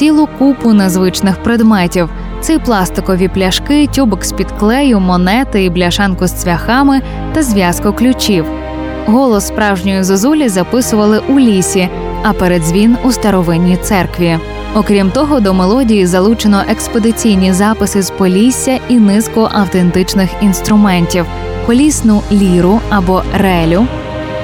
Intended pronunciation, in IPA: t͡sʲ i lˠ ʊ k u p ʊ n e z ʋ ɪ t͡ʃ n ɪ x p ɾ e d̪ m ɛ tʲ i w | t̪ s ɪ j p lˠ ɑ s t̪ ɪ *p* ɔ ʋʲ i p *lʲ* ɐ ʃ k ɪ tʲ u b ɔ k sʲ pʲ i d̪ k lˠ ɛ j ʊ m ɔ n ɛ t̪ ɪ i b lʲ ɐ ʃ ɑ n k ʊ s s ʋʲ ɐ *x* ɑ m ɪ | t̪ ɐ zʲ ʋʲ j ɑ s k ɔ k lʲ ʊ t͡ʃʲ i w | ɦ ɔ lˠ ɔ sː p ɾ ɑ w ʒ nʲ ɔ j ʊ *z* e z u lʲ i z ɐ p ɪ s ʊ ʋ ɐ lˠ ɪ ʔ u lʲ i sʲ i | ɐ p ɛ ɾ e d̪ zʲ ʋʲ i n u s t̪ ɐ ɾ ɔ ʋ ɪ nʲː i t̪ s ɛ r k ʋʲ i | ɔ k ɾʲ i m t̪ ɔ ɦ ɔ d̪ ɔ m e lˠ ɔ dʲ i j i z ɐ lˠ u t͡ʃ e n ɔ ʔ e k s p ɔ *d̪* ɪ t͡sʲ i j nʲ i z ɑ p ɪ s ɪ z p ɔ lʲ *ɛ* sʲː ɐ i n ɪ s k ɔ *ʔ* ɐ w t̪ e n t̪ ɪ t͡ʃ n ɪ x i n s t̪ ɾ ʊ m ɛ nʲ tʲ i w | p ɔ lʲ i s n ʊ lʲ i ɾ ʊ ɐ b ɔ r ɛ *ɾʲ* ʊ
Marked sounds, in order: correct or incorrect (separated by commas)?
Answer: incorrect, correct, correct, correct, correct, incorrect, correct, incorrect